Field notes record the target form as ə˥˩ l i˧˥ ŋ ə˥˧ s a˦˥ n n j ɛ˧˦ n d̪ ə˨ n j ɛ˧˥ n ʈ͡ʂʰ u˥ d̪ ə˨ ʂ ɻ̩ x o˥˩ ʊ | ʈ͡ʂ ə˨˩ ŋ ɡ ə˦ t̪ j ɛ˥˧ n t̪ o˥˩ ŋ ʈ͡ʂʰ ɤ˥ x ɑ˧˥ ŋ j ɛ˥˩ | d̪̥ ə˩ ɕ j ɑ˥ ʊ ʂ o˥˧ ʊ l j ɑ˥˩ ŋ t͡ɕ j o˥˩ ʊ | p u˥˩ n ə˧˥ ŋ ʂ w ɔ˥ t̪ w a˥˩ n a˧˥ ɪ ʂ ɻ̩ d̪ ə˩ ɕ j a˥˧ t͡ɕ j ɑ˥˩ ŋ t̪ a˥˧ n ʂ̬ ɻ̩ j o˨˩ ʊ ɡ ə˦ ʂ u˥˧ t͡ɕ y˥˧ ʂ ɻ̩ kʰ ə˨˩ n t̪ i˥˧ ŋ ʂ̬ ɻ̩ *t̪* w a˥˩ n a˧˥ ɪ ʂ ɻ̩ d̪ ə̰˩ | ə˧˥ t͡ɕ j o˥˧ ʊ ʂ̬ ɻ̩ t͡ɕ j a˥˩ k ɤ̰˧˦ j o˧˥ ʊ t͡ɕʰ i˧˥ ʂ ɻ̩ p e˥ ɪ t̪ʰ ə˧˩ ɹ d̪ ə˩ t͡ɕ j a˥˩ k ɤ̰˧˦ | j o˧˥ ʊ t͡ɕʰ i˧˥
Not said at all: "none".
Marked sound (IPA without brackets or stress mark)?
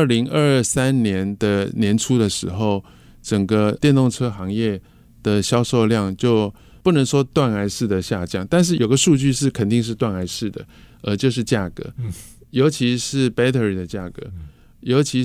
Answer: t̪